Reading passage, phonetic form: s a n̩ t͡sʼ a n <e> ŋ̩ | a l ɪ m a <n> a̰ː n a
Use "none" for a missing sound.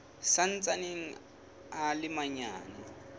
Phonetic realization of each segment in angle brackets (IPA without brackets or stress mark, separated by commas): e, ɲ